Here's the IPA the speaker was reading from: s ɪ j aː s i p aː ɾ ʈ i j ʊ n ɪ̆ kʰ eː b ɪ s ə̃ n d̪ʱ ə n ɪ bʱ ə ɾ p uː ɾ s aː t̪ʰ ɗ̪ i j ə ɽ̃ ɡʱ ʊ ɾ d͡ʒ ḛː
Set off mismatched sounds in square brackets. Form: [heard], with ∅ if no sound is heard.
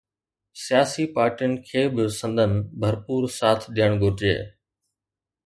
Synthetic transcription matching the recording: s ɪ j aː s i p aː ɾ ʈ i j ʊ n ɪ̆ kʰ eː b ɪ s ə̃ n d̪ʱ ə n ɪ bʱ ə ɾ p uː ɾ s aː t̪ʰ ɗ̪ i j ə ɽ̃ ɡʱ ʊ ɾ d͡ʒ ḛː

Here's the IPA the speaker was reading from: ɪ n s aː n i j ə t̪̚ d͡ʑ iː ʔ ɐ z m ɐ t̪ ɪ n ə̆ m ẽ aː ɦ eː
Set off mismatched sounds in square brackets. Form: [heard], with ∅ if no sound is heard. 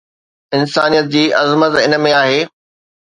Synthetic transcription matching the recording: ɪ n s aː n i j ə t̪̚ d͡ʑ iː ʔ ɐ z m [ə] t̪ ɪ n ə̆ m ẽ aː ɦ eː

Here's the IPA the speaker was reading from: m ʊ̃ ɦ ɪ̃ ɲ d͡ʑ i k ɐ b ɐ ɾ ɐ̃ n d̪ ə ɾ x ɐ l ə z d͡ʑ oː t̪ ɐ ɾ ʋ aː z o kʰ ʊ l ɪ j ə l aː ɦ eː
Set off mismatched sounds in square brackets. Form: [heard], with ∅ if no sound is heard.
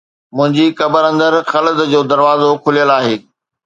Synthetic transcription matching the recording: m ʊ̃ ɦ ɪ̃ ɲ d͡ʑ i k ɐ b [ə] ɾ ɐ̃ n d̪ ə ɾ x ɐ l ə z d͡ʑ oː [d̪] ɐ ɾ ʋ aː z o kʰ ʊ l [i] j ə l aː ɦ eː

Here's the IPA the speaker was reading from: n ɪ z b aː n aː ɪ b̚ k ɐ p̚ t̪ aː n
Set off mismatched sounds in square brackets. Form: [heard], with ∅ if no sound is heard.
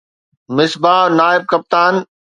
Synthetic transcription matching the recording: [m] ɪ [s] b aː n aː ɪ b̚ k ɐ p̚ t̪ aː n

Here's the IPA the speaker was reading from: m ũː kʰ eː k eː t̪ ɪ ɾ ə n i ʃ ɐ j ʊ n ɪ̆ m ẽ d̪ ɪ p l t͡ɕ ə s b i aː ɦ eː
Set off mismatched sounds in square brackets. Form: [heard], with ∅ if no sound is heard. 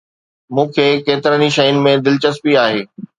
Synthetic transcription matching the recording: m ũː kʰ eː k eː t̪ ɪ ɾ ə n i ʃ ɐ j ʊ n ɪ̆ m ẽ d̪ ɪ [∅] l t͡ɕ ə s [p] i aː ɦ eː

